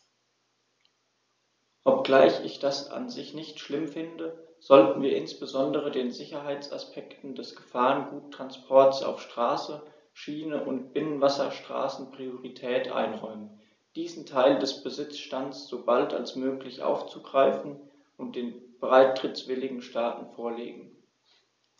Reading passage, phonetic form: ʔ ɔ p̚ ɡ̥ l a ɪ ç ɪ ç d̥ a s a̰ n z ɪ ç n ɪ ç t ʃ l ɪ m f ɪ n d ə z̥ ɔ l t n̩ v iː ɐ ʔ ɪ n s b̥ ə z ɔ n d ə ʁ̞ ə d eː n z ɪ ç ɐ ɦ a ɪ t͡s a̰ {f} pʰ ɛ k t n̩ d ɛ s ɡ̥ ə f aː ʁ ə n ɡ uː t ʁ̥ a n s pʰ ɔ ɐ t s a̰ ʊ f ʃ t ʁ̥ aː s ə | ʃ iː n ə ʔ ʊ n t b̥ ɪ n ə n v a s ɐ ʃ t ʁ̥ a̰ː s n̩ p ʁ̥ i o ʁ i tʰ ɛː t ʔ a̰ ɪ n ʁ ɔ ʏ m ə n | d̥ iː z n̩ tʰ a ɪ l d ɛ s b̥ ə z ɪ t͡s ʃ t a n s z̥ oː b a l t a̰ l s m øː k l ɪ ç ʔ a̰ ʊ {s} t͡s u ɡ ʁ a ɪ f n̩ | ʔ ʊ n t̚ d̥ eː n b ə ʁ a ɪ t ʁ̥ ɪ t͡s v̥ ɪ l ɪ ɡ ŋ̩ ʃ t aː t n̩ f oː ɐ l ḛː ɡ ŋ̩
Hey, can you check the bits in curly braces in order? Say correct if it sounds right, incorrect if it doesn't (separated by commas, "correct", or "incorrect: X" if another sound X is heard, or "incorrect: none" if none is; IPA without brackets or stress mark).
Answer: incorrect: s, incorrect: f